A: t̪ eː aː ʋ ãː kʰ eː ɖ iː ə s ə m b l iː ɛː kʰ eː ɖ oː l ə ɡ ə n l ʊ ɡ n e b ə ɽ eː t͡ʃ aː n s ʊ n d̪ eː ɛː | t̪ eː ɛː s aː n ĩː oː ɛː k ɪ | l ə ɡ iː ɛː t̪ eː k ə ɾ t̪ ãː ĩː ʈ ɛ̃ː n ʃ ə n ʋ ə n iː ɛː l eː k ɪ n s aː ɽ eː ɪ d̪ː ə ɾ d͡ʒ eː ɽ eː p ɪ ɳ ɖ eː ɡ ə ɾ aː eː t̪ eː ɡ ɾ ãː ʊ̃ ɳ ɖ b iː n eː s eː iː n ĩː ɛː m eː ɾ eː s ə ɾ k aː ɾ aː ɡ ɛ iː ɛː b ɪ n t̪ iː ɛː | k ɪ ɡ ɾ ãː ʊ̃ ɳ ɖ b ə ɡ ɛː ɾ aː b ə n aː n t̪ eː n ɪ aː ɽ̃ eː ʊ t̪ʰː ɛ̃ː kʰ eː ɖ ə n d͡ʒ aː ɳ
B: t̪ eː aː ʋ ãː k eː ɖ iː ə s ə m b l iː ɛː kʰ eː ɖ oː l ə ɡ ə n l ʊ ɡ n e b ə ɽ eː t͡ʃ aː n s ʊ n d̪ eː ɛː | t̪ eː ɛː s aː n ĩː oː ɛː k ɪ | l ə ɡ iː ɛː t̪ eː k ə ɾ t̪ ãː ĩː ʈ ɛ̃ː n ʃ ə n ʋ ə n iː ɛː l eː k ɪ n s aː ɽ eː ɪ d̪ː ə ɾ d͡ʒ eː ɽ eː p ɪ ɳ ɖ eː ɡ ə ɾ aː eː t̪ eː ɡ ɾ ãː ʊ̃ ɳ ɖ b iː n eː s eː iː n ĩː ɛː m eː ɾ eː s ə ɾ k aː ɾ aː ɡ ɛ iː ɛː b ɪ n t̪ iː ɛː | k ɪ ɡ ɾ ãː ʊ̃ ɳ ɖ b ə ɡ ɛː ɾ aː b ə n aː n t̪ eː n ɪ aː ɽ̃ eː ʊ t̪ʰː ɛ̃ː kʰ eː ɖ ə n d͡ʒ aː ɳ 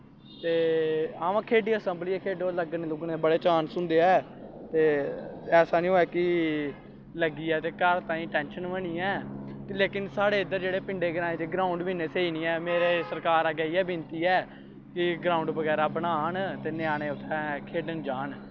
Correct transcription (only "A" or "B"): A